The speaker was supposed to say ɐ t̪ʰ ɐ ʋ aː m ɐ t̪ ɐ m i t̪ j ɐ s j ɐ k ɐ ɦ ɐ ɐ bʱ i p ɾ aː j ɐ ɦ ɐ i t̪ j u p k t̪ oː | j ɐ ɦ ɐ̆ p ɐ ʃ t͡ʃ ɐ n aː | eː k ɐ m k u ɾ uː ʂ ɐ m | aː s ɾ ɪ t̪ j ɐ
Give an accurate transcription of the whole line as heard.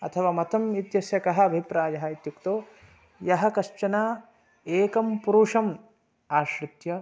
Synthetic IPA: ɐ t̪ʰ ɐ ʋ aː m ɐ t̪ ɐ m i t̪ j ɐ s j ɐ k ɐ ɦ ɐ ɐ bʱ i p ɾ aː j ɐ ɦ ɐ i t̪ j u k t̪ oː | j ɐ ɦ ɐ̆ k ɐ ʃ t͡ʃ ɐ n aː | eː k ɐ m p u ɾ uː ʂ ɐ m | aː ʃ ɾ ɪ t̪ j ɐ